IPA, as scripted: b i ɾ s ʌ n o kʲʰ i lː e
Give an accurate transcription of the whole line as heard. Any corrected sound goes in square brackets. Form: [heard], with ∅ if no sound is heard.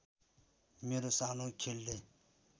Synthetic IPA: [m] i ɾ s [a] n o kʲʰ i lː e